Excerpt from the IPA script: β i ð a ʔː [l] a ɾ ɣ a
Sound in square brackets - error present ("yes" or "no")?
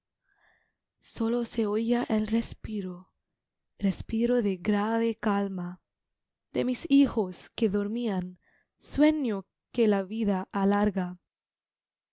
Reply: no